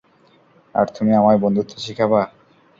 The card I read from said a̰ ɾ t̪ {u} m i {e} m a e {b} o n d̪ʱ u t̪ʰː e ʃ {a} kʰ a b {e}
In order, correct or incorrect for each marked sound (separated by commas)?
correct, incorrect, correct, incorrect, incorrect